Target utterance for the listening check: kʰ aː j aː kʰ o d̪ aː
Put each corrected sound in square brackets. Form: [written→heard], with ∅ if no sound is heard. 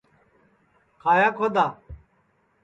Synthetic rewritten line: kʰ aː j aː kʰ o d̪ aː